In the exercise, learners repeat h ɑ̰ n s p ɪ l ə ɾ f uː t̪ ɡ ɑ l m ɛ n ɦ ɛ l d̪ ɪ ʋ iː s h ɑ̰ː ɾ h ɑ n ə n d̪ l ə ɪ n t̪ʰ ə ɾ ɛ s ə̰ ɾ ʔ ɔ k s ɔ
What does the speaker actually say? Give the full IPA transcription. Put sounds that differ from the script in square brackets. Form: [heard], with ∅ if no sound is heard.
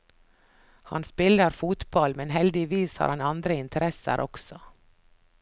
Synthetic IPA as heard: h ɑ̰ n s p ɪ l ə ɾ f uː t̪ [b] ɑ l m ɛ n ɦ ɛ l d̪ ɪ ʋ iː s h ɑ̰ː ɾ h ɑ n [ɑ] n d̪ [ɾ] ə ɪ n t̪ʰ ə ɾ ɛ s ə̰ ɾ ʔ ɔ k s ɔ